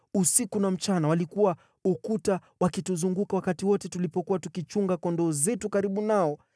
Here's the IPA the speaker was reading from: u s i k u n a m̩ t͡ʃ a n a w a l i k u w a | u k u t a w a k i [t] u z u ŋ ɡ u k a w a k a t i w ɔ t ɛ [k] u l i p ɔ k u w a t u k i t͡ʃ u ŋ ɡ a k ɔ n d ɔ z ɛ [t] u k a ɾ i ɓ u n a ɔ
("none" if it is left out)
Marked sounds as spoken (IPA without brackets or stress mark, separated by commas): t, t, t